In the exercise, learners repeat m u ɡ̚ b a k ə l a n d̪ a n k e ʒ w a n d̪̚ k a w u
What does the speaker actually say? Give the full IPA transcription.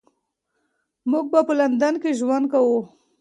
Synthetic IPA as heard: m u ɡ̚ b a p ə l a n d̪ a n k e ʒ w a n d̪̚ k a w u